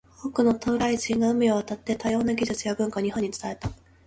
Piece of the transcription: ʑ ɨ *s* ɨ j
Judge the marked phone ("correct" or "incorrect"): incorrect